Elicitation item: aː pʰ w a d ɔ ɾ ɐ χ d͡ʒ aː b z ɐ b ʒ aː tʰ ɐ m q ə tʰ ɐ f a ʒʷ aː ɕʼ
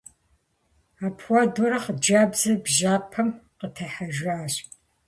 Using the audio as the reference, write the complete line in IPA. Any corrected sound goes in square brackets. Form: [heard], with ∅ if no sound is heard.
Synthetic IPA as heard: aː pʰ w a d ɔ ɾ ɐ χ d͡ʒ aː b z ɐ b ʒ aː [pʰ] ɐ m q ə tʰ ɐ [ħ] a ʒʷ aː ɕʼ